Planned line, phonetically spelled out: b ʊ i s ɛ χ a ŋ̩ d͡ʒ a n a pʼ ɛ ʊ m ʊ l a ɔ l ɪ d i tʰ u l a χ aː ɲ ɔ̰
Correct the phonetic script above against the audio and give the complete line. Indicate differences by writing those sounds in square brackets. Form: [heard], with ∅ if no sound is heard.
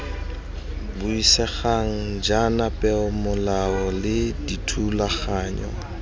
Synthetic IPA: b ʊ i s ɛ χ a ŋ̩ d͡ʒ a n a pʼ ɛ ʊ m ʊ l a ɔ l ɪ d i tʰ u l a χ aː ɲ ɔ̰